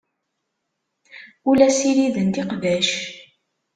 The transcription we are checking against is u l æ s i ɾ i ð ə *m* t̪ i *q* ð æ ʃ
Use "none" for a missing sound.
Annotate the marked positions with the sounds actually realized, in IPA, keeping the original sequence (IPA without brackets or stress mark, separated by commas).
n, q